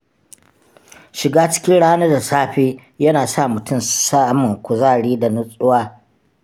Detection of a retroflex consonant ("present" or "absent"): present